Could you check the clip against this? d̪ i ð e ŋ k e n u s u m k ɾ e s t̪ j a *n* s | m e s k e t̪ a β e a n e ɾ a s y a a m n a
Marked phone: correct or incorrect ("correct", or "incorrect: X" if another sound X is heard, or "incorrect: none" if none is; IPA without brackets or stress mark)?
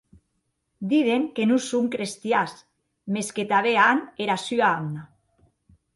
incorrect: none